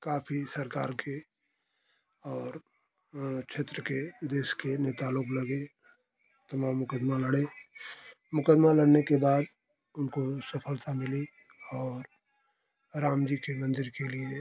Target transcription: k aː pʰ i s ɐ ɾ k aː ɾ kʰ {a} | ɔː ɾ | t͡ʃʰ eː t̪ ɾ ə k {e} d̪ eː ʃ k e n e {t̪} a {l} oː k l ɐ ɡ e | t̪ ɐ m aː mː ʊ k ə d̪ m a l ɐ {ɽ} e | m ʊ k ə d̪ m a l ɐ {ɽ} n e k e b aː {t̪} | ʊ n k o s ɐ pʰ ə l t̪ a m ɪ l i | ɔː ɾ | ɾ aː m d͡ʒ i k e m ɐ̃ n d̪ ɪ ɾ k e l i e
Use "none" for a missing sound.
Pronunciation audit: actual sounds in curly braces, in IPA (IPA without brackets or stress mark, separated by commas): e, e, t̪, l, ɽ, ɽ, d̪